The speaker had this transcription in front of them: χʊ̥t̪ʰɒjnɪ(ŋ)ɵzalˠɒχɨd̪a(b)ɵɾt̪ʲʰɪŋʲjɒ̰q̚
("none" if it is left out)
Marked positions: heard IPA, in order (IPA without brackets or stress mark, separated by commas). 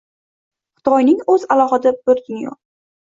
ŋ, b